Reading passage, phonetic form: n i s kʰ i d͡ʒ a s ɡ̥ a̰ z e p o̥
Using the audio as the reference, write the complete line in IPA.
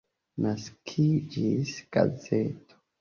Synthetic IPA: n a s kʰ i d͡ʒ i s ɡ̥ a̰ z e t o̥